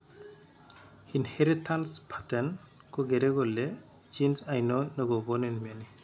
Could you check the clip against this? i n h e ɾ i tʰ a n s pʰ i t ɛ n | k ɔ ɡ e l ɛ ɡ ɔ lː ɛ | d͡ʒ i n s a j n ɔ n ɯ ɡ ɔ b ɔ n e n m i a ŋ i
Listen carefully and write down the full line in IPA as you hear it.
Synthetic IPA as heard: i n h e ɾ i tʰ a n s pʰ a t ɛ n | k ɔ ɡ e ɾ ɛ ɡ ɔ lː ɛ | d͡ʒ i n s a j n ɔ n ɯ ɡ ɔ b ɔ n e n m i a n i